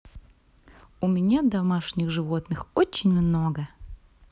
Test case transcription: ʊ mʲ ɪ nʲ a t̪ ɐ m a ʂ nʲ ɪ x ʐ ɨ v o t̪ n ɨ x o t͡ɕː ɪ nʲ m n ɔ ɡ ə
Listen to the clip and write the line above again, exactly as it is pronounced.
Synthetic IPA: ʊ mʲ ɪ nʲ a d̪ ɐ m a ʂ nʲ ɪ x ʐ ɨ v o t̪ n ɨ x o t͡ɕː ɪ nʲ m n o ɡ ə